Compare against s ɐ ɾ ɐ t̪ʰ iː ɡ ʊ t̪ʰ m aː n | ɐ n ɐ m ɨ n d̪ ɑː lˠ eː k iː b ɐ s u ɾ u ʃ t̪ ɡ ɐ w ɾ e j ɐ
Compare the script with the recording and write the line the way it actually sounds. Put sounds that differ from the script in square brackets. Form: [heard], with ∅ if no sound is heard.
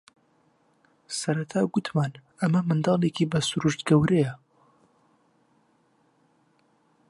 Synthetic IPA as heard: s ɐ ɾ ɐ t̪ʰ [aː] ɡ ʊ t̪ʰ m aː n | ɐ [m] ɐ m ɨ n d̪ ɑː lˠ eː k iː b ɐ s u ɾ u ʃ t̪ ɡ ɐ w ɾ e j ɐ